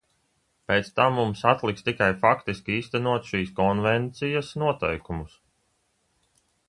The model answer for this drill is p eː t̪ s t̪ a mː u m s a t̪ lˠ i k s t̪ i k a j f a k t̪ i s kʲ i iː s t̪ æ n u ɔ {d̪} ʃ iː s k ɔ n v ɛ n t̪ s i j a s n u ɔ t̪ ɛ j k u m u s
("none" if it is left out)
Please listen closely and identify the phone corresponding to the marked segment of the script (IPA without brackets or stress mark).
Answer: t̪